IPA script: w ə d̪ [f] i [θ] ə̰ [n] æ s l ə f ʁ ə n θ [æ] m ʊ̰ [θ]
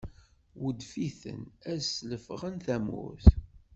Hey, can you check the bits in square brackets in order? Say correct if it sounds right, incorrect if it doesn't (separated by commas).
correct, correct, correct, correct, correct